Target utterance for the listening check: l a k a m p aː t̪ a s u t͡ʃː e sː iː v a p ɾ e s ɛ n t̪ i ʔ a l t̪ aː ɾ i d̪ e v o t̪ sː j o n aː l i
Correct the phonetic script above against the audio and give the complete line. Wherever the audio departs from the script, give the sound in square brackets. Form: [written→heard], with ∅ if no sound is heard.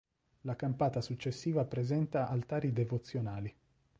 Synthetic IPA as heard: l a k a m p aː t̪ a s u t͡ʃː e sː iː v a p ɾ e [s→z] ɛ n t̪ [i→a] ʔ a l t̪ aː ɾ i d̪ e v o t̪ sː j o n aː l i